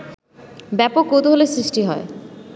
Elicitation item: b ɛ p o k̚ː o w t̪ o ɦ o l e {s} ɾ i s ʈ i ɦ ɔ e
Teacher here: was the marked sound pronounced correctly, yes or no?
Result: yes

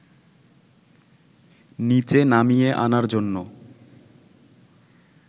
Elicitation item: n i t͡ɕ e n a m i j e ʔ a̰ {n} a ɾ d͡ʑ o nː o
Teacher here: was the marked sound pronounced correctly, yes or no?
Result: yes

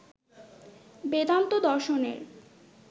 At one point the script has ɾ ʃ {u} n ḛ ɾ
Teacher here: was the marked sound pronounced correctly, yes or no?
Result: no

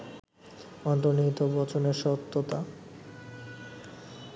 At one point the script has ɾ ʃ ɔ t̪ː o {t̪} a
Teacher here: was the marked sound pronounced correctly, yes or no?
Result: yes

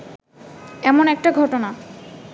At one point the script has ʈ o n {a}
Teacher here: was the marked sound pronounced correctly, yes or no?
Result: yes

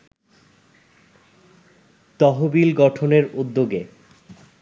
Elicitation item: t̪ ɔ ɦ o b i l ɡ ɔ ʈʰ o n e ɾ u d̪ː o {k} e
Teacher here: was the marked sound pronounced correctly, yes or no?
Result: no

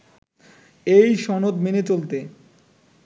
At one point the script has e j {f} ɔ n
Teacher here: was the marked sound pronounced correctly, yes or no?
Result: no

